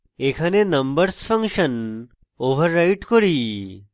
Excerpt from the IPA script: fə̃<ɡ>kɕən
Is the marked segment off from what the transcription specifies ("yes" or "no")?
yes